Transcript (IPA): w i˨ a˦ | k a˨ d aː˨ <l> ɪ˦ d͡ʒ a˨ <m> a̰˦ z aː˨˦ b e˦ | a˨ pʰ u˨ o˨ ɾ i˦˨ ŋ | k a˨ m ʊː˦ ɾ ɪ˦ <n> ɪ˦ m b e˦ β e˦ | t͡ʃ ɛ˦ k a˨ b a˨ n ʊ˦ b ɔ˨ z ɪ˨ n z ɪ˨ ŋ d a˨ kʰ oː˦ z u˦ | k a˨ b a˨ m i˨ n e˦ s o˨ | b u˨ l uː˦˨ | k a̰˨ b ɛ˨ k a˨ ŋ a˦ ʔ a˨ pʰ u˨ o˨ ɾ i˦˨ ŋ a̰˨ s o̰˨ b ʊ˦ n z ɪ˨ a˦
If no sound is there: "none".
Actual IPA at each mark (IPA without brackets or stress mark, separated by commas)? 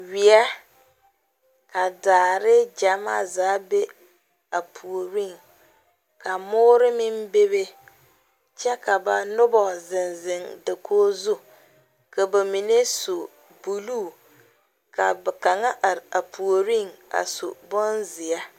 ɾ, m, m